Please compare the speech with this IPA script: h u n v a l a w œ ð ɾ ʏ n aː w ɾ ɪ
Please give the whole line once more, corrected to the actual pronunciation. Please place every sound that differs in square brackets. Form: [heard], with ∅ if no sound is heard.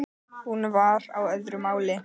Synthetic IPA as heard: h u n v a [ɾ] a w œ ð ɾ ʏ [m] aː w [l] ɪ